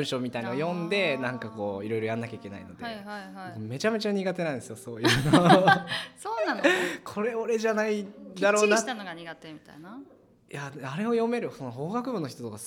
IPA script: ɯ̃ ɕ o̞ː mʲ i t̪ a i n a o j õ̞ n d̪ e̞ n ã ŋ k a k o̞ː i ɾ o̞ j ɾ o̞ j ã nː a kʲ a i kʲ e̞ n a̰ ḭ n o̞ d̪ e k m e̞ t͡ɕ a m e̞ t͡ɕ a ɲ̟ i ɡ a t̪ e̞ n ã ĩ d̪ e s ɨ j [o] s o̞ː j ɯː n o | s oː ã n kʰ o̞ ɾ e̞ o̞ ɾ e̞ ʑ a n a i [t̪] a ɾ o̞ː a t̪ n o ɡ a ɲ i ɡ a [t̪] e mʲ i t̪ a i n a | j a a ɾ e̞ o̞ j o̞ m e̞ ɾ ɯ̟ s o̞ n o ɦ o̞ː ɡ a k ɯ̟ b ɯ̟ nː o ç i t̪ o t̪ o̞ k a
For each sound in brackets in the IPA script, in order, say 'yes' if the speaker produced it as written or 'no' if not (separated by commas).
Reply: yes, no, yes